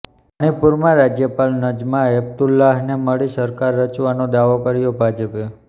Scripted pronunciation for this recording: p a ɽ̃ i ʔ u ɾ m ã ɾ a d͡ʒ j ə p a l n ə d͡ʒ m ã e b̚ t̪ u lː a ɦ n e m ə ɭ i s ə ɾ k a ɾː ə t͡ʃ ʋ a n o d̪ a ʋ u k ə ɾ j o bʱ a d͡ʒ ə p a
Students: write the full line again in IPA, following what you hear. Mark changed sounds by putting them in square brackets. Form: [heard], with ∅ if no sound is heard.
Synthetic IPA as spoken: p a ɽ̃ i [p] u ɾ m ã ɾ a d͡ʒ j ə p a l n ə d͡ʒ m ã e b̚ t̪ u lː a ɦ n e m ə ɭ i s ə ɾ k a ɾː ə t͡ʃ ʋ a n o d̪ a ʋ [o] k ə ɾ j o bʱ a d͡ʒ ə p [e]